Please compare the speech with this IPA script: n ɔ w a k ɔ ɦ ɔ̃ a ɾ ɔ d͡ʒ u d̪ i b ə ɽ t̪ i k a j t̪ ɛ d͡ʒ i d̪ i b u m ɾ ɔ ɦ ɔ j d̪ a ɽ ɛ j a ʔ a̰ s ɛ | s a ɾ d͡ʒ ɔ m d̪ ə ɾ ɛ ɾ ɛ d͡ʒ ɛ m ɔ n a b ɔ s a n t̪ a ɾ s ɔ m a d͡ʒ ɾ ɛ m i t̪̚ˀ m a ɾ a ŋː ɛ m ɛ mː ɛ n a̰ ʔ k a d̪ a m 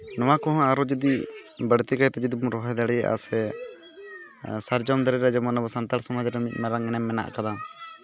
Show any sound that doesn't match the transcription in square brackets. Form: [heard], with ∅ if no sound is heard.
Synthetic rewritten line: n ɔ w a k ɔ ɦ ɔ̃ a ɾ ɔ d͡ʒ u d̪ i b ə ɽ t̪ i k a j t̪ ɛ d͡ʒ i d̪ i b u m ɾ ɔ ɦ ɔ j d̪ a ɽ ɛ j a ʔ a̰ s ɛ | s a ɾ d͡ʒ ɔ m d̪ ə ɾ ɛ ɾ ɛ d͡ʒ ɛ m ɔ n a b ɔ s a n t̪ a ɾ s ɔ m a d͡ʒ ɾ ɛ m i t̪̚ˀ m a ɾ a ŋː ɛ [n] ɛ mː ɛ n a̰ ʔ k a d̪ a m